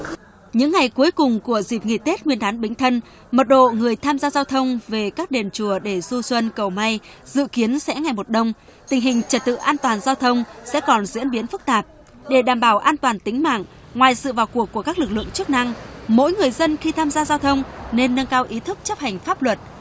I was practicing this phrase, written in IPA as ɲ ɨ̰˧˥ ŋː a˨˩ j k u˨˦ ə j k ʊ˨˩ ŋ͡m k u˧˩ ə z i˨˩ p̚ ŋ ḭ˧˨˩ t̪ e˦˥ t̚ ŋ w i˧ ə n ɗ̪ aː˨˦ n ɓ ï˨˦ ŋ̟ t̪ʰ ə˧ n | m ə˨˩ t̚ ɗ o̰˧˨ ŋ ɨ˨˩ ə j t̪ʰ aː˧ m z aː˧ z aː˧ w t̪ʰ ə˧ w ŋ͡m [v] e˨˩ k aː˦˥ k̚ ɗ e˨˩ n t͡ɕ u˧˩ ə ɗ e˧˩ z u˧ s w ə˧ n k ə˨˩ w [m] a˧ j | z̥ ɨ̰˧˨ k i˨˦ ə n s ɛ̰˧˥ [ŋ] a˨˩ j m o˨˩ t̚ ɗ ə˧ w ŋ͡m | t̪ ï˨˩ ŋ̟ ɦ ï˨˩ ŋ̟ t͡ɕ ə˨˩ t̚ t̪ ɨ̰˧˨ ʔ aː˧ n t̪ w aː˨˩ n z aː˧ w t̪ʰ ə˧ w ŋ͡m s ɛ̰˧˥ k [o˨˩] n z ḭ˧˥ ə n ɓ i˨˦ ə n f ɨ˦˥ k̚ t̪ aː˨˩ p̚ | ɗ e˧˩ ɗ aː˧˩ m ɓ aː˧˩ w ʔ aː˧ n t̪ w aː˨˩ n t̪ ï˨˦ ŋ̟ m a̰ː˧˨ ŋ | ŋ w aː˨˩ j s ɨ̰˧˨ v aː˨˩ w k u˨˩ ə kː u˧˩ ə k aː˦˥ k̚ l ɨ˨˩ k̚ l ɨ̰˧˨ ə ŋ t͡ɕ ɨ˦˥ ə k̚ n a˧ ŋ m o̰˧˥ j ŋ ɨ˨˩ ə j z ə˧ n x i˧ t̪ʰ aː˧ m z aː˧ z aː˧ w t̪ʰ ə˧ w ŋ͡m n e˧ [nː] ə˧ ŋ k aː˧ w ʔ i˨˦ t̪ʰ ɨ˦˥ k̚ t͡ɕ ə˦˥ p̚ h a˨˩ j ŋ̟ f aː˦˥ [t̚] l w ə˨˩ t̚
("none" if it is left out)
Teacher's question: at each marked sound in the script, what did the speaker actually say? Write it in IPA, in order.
v, m, ŋ, ɔ˨˩, nː, p̚

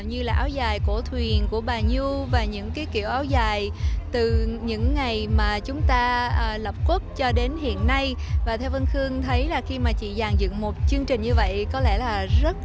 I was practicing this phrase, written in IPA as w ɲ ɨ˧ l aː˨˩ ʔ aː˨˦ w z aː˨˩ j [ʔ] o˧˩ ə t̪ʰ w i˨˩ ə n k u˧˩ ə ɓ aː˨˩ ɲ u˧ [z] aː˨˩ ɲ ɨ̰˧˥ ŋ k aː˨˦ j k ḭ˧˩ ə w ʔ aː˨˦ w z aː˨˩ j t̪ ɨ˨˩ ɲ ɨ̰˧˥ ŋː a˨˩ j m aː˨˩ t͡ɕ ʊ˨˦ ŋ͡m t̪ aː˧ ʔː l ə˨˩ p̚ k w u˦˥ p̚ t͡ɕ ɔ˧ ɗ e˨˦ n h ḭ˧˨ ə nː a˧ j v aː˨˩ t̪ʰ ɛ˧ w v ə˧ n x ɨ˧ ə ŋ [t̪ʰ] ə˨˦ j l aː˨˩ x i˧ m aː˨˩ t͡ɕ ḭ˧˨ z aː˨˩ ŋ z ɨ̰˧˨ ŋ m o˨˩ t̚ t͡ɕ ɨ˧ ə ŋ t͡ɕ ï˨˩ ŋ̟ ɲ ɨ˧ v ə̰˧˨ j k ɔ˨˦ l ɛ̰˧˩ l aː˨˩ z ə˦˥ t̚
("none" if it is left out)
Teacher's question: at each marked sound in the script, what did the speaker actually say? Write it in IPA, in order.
k, v, t̪ʰ

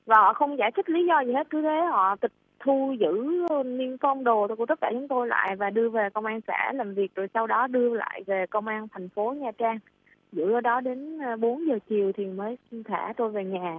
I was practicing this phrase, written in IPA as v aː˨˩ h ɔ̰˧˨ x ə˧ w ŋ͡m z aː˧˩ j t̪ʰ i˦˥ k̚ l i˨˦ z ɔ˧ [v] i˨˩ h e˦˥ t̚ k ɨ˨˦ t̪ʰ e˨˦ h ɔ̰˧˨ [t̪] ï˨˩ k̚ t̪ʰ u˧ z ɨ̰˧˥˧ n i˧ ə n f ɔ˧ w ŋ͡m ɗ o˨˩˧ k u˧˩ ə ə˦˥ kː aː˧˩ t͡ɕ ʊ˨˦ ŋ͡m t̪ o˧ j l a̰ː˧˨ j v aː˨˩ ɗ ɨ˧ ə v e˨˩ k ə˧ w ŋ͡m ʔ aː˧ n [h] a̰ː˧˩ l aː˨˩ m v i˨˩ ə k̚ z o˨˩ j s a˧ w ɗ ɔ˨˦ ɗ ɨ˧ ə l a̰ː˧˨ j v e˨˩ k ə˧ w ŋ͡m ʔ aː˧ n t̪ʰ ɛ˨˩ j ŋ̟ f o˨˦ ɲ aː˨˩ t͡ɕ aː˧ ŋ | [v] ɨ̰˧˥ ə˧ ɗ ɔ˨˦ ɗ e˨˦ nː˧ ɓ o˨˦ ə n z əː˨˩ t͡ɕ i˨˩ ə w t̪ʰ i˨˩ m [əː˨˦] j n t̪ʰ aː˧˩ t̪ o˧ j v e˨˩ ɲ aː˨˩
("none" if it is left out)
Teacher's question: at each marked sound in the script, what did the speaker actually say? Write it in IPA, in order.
z, t̪, s, z, əː˨˦

